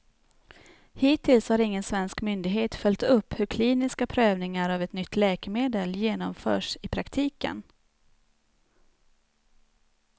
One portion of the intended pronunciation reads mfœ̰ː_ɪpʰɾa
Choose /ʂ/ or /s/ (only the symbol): ʂ